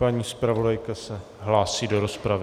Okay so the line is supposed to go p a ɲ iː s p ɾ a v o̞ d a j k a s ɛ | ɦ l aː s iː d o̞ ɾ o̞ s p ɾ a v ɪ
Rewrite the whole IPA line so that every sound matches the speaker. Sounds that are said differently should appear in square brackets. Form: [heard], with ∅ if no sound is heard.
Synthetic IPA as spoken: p a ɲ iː s p ɾ a v o̞ d a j k a s ɛ | ɦ l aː s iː d o̞ ɾ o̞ s p ɾ a v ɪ